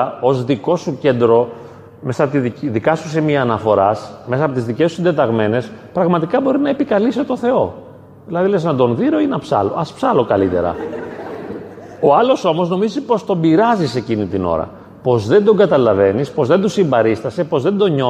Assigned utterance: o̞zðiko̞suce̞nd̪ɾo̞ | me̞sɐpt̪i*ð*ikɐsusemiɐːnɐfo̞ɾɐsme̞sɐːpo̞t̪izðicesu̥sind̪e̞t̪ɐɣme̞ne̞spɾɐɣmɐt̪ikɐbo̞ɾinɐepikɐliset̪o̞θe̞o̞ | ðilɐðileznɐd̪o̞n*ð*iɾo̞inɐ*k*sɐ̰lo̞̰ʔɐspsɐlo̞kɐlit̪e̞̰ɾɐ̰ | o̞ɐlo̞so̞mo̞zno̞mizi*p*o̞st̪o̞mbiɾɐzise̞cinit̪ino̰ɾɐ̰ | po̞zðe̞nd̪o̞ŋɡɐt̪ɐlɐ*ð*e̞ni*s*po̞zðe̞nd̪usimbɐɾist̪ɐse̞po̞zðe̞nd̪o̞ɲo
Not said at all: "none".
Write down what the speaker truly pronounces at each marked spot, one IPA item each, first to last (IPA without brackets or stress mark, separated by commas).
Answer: ð, ð, p, p, v, s